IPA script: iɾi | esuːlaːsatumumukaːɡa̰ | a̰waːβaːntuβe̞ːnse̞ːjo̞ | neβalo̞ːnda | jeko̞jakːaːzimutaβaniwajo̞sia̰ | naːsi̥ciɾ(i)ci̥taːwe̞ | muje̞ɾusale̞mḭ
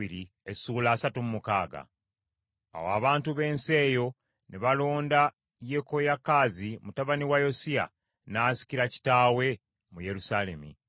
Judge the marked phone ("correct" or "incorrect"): incorrect